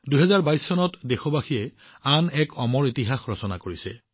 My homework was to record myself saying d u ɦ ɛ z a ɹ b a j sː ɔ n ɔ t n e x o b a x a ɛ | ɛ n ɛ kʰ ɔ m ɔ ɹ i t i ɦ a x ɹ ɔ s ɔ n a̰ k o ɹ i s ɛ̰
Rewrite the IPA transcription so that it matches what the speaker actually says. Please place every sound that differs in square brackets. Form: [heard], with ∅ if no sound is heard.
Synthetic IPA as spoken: d u ɦ ɛ z a ɹ b a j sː ɔ n ɔ t [d] e x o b a x [i] ɛ | [a] n ɛ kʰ ɔ m ɔ ɹ i t i ɦ a x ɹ ɔ s ɔ n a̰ k o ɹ i s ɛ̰